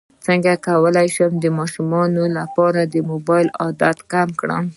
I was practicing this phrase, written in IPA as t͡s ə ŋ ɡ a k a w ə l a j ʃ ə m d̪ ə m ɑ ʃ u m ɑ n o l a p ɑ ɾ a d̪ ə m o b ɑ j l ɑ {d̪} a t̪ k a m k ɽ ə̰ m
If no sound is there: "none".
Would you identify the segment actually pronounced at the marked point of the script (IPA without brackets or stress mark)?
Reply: d̪